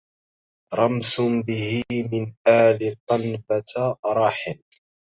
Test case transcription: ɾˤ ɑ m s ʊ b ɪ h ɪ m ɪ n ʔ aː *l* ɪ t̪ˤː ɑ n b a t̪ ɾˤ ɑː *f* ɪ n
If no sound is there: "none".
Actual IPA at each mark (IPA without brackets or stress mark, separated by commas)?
l, ħ